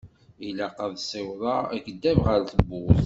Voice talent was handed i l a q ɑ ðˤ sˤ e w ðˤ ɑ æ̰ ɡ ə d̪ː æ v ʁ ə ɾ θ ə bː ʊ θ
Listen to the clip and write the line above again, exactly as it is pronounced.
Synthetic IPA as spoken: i l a q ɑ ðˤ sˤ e w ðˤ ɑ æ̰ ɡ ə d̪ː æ v ʁ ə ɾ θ ə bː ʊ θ